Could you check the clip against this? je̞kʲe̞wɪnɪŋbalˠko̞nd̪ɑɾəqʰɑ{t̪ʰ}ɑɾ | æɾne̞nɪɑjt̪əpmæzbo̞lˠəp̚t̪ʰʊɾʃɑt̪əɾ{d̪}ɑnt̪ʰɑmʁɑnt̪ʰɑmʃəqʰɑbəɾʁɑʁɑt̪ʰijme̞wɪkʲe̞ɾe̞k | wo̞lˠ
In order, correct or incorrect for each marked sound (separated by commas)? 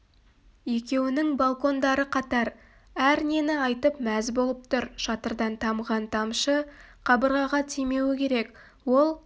incorrect, correct